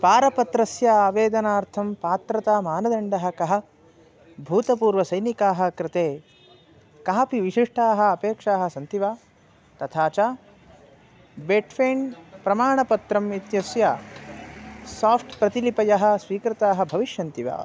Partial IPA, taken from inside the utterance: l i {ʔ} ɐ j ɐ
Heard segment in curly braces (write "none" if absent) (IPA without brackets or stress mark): p